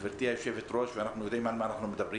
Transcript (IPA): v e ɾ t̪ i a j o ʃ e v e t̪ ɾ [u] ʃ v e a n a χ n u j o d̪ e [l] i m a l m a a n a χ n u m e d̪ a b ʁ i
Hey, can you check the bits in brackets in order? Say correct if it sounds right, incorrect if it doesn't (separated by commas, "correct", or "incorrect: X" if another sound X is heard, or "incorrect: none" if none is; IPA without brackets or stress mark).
incorrect: o, incorrect: none